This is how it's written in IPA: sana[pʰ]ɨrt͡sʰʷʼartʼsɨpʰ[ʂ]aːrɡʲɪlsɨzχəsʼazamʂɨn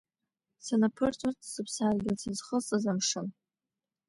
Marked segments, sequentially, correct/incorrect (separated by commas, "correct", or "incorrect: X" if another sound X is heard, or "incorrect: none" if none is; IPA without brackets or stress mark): correct, incorrect: s